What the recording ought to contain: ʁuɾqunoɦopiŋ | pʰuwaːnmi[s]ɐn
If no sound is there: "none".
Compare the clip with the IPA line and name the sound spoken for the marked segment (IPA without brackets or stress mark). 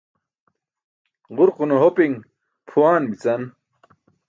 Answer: t͡s